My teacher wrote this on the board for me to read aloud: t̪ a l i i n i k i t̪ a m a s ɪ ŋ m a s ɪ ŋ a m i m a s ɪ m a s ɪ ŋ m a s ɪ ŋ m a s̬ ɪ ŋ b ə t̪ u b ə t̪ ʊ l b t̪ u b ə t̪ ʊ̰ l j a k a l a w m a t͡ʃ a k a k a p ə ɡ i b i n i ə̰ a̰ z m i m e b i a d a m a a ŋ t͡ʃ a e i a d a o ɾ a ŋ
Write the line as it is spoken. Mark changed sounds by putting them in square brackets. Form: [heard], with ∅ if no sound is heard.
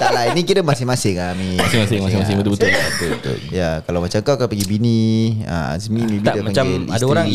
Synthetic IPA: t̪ a l [a] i n i k i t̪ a m a s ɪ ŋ m a s ɪ ŋ a m i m a s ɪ m a s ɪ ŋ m a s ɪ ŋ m a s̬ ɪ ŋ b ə t̪ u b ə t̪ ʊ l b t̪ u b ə t̪ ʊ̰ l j a k a l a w m a t͡ʃ a k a k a p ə ɡ i b i n i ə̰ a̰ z m i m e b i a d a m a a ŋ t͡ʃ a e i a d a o ɾ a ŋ